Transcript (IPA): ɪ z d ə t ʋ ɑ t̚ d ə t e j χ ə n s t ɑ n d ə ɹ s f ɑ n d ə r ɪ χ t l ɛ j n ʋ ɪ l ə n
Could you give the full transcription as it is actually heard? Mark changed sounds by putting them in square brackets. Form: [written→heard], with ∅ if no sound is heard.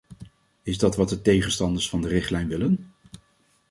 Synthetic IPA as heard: ɪ z d [ə→ɑ] t ʋ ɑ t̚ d ə t e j χ ə n s t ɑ n d ə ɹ s f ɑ n d ə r ɪ χ t l ɛ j n ʋ ɪ l ə n